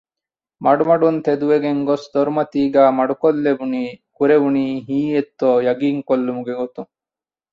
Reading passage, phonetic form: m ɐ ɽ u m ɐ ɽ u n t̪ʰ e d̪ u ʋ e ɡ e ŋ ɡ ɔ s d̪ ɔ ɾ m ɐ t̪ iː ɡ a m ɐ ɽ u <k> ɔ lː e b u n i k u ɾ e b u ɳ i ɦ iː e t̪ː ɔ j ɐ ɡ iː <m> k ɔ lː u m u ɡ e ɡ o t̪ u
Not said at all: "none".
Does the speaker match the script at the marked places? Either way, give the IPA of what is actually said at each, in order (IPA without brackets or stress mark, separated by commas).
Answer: k, ŋ